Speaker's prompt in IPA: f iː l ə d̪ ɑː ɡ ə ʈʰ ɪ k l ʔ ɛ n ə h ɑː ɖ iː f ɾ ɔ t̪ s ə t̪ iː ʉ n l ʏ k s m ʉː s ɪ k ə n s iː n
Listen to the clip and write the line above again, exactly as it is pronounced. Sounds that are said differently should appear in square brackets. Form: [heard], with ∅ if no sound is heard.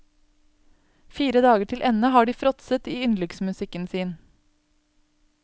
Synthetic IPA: f iː [ɾ] ə d̪ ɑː ɡ ə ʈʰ ɪ [∅] l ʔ ɛ n ə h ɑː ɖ iː f ɾ ɔ t̪ s ə t̪ iː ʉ n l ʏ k s m [ʉ] s ɪ k ə n s iː n